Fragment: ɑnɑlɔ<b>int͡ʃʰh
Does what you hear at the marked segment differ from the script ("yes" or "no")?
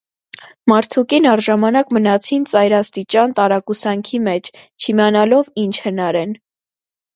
yes